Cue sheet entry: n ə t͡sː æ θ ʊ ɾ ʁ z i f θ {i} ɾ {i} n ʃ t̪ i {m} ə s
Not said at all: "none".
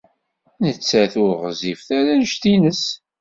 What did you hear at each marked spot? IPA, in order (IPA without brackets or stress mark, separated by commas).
æ, æ, n